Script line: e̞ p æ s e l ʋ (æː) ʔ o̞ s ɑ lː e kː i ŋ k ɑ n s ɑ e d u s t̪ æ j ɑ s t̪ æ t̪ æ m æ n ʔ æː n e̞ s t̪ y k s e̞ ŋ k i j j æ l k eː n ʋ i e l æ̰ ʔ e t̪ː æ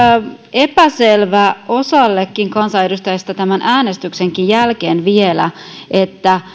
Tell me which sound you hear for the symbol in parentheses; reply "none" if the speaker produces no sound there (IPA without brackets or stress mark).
æ